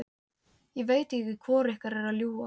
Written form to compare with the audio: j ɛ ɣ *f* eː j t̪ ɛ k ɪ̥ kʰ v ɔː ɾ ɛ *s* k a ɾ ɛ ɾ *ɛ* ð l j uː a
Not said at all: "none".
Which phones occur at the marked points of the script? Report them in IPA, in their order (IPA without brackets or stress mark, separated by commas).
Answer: v, h, a